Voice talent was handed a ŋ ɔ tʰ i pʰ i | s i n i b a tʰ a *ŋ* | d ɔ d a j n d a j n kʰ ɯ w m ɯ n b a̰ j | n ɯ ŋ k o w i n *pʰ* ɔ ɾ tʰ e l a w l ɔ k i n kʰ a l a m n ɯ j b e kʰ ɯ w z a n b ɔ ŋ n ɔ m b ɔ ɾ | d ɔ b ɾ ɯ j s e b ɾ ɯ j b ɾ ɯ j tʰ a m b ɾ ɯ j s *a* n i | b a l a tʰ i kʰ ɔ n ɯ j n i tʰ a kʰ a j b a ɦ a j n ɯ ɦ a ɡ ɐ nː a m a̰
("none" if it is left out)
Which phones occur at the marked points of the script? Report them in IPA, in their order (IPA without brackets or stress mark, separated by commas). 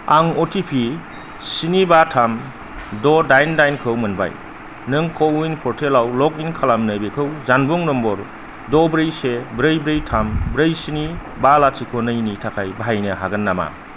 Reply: m, pʰ, i